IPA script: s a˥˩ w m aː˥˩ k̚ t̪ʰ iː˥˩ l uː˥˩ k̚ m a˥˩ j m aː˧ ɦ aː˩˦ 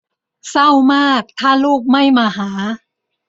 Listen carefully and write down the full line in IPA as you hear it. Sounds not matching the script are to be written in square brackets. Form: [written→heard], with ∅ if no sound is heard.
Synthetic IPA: s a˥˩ w m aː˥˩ k̚ t̪ʰ [iː˥˩→aː˥˩] l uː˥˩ k̚ m a˥˩ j m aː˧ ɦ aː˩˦